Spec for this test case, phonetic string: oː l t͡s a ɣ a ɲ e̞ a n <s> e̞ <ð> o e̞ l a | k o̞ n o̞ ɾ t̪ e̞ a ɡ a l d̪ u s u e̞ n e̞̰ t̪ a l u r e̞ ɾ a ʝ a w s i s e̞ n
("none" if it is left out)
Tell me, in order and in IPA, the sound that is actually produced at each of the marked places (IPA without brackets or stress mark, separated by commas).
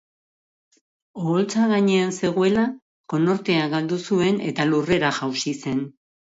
s, ɣ